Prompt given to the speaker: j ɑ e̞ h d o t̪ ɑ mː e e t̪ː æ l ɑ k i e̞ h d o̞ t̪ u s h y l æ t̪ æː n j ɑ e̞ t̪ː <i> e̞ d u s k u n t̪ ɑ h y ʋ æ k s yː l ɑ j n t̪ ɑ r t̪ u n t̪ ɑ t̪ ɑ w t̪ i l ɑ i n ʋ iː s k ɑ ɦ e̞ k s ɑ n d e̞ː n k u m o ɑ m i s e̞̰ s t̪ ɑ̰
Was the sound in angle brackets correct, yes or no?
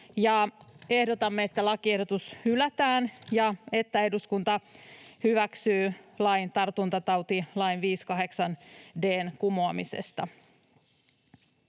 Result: no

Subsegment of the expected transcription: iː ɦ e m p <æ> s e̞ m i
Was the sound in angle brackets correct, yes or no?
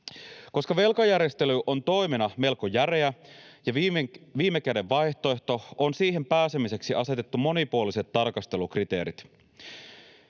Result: no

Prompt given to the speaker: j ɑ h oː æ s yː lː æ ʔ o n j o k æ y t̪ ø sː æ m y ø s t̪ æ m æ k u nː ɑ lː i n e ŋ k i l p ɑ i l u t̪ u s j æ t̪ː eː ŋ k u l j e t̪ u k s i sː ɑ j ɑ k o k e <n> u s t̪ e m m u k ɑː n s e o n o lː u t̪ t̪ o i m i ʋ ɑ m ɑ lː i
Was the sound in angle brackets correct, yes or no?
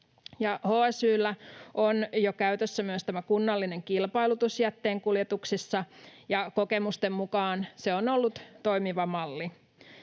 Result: no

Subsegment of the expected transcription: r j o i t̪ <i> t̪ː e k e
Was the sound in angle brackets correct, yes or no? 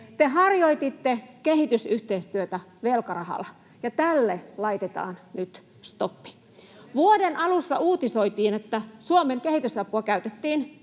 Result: yes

